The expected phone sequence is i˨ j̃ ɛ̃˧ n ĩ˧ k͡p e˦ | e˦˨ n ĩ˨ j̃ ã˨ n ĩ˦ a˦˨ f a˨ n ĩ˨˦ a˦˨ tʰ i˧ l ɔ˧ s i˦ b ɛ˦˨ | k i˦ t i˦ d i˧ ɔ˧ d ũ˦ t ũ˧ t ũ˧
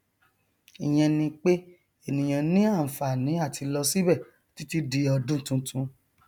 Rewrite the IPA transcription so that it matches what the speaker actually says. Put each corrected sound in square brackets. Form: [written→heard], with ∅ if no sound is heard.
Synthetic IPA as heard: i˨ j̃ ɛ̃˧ n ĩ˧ k͡p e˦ | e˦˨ n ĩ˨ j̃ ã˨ n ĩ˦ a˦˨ f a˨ n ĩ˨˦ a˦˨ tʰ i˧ l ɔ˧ s i˦ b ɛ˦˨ | [k→t] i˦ t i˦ d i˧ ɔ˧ d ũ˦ t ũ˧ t ũ˧